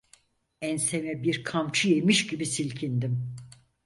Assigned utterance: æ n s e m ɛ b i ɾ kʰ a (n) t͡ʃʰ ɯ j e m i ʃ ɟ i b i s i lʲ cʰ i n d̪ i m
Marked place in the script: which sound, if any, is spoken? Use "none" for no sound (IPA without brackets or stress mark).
m